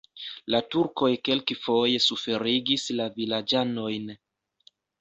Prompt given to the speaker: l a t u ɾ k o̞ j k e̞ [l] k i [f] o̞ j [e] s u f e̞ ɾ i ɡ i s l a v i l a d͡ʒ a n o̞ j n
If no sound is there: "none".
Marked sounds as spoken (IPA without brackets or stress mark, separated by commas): l, f, e